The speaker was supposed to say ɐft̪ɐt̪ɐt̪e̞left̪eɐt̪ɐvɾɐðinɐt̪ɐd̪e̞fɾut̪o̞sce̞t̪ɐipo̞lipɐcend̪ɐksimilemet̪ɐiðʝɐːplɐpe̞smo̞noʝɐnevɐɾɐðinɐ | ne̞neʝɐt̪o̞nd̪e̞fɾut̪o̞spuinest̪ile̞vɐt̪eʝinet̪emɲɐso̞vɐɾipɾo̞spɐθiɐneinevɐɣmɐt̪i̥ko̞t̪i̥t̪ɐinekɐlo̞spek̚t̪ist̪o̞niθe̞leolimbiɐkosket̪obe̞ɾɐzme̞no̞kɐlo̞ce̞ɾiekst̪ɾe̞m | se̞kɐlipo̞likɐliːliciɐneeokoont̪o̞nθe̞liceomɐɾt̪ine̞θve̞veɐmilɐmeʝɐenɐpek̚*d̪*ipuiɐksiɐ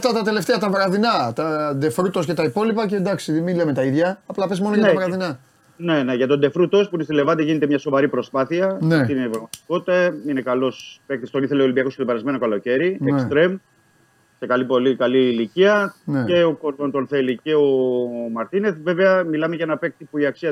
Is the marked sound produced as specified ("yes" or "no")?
no